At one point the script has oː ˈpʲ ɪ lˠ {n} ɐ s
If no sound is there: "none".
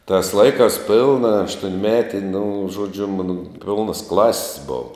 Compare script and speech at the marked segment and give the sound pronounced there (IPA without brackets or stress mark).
n